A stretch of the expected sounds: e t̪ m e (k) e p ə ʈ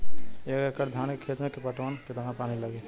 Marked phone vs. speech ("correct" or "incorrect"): correct